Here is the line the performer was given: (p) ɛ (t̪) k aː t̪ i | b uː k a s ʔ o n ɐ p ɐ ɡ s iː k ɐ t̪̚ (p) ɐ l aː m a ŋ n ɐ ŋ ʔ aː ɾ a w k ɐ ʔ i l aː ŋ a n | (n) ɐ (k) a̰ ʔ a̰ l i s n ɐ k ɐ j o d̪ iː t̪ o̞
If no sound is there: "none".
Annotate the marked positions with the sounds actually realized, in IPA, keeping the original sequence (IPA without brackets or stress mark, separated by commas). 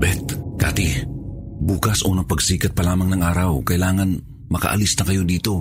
b, t̪, p, m, k